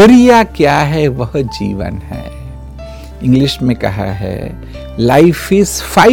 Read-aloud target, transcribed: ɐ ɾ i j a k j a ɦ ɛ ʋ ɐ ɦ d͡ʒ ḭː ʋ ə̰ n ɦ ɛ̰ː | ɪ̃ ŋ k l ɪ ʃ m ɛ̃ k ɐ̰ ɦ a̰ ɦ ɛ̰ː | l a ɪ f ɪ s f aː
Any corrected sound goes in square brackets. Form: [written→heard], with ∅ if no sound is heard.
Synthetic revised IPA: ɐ ɾ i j a k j a ɦ ɛ ʋ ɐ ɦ d͡ʒ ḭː ʋ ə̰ n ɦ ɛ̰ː | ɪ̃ ŋ [k→ɡ] l ɪ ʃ m [ɛ̃→ẽ] k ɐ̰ ɦ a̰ ɦ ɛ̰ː | l a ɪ f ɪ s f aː